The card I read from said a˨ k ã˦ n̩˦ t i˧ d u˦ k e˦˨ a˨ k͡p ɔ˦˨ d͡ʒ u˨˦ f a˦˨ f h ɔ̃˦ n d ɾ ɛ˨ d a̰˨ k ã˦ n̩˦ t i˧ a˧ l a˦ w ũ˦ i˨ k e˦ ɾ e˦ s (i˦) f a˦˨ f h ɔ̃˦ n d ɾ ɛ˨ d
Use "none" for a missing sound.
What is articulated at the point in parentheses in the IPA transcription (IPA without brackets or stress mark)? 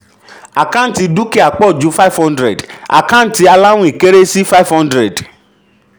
i˦